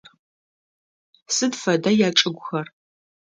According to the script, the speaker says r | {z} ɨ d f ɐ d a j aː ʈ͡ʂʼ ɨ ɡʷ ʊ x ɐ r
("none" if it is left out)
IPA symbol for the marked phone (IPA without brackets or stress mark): s